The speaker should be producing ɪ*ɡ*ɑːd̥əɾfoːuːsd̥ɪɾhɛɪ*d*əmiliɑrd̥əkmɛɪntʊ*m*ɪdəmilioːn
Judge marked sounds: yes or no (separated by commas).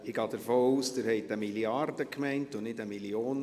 yes, no, no